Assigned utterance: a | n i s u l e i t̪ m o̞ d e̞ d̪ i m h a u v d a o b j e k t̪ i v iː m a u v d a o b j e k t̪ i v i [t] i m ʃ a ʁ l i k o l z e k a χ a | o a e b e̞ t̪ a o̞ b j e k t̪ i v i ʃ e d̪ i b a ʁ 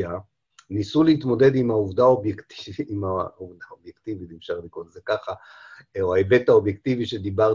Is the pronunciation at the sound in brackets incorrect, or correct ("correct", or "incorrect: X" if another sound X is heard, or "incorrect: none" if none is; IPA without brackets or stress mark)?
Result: correct